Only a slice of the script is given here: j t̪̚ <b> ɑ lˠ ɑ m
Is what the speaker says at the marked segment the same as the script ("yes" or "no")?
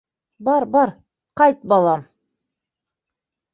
yes